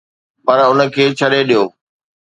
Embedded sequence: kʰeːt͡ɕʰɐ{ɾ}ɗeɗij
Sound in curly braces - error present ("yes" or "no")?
yes